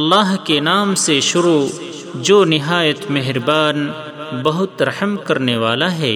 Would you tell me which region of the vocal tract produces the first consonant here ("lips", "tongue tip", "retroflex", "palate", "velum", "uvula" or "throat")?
tongue tip